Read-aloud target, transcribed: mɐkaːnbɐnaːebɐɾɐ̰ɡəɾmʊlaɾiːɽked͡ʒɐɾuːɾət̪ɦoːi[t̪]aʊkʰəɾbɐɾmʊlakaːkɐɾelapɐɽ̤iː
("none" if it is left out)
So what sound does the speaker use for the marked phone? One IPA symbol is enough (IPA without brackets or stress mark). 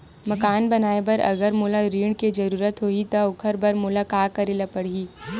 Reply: t̪